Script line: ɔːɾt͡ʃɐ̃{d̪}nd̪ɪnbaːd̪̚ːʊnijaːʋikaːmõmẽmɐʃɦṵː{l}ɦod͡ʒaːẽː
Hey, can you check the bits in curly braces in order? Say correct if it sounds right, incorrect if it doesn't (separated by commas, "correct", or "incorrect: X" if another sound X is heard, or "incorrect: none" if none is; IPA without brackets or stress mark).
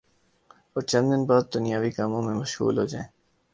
incorrect: none, correct